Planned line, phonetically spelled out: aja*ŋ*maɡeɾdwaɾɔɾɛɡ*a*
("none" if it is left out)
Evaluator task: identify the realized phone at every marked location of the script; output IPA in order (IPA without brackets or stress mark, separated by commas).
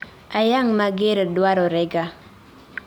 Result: ŋ, a